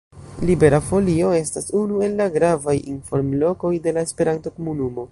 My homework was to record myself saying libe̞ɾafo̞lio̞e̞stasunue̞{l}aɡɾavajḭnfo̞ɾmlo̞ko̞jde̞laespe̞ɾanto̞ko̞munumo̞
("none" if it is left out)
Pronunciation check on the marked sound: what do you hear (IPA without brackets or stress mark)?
lː